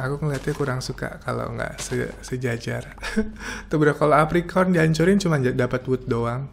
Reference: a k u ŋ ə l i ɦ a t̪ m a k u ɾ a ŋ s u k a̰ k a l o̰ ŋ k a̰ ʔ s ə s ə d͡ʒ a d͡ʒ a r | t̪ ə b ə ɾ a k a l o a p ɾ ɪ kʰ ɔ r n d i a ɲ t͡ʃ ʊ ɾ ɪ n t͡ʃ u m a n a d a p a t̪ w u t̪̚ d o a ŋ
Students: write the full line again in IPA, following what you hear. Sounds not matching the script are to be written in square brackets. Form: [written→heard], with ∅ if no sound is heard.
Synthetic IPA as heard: a k u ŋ ə l i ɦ a t̪ [m→ɲ] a k u ɾ a ŋ s u k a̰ k a l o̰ ŋ [k→ɡ] a̰ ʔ s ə s ə d͡ʒ a d͡ʒ a r | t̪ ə b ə ɾ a k a l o a p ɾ [ɪ→i] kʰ ɔ r n d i a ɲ t͡ʃ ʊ ɾ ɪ n t͡ʃ u m a n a d a p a t̪ w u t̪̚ d o a ŋ